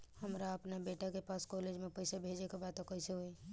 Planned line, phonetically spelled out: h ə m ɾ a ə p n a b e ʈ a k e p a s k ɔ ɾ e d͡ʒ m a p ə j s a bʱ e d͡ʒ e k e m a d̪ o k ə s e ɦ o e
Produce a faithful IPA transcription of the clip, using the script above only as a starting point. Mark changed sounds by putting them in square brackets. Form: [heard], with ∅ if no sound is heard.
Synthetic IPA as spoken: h ə m ɾ a ə p n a b e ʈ a k e p a s k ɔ [l] e d͡ʒ m [e] p ə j s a bʱ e d͡ʒ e k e [b] a [t̪] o k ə s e ɦ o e